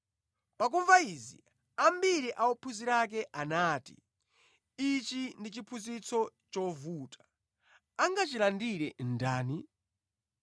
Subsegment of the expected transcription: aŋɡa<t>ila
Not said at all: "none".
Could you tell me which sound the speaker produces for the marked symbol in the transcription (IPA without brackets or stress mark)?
t͡ʃ